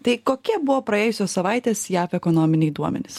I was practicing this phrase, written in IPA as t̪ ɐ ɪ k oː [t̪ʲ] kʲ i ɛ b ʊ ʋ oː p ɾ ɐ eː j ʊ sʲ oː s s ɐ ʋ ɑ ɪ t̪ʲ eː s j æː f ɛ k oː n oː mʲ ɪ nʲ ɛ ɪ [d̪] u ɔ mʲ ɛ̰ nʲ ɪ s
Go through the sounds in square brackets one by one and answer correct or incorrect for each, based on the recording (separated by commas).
incorrect, correct